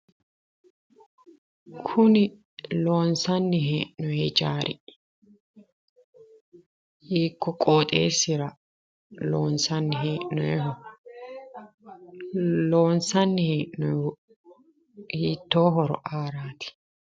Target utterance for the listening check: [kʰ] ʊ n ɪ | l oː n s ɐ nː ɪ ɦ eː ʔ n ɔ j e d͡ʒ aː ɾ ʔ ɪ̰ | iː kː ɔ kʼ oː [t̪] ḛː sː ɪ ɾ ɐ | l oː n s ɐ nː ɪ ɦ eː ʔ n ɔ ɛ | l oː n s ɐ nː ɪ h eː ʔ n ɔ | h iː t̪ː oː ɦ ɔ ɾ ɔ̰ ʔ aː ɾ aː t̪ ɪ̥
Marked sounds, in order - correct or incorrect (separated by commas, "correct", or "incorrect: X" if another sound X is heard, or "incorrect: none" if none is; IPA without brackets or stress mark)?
correct, incorrect: t̪ʼ